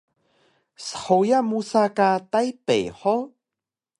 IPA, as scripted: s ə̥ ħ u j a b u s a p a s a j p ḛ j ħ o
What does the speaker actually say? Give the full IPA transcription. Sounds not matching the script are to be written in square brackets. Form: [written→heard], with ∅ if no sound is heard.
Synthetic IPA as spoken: s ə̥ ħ [u→o] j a [b→m] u s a [p→k] a [s→t] a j p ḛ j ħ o